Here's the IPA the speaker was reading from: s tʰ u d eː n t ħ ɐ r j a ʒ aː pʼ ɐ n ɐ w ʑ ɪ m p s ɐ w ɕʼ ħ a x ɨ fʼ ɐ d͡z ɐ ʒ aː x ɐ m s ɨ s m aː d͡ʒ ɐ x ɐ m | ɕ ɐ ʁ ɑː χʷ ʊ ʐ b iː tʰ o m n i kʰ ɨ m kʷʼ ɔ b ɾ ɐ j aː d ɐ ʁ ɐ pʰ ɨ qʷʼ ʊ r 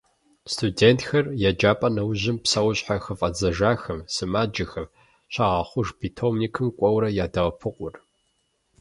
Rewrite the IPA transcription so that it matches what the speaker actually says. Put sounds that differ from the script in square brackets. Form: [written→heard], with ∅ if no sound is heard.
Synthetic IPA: s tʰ u d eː n t [ħ→x] ɐ r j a [ʒ→d͡ʒ] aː pʼ ɐ n ɐ w ʑ ɪ m p s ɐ w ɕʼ ħ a x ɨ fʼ ɐ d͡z ɐ ʒ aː x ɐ m s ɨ [s→∅] m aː d͡ʒ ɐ x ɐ m | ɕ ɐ ʁ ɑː χʷ ʊ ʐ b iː tʰ o m n i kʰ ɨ m kʷʼ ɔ [b→w] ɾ ɐ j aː d ɐ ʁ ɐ pʰ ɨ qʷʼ ʊ r